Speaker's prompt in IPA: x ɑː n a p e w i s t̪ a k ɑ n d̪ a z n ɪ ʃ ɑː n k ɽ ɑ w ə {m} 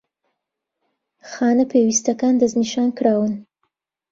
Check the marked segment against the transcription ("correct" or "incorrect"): incorrect